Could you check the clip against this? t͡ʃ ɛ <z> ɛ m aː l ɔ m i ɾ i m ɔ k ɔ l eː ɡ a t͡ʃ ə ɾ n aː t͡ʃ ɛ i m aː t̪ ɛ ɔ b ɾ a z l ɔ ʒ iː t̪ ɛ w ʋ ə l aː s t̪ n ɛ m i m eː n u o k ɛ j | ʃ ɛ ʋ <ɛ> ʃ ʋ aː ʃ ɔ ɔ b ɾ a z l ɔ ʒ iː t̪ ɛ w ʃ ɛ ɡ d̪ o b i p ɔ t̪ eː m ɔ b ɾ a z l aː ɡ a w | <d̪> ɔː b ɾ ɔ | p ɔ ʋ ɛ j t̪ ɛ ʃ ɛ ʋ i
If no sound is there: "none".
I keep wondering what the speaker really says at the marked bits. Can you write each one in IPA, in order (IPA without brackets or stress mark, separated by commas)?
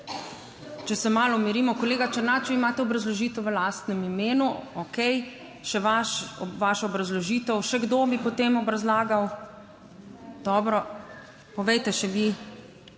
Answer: s, a, d̪